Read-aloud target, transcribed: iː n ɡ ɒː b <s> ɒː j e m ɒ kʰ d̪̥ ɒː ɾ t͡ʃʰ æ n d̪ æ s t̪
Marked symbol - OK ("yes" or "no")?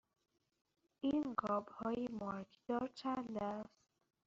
no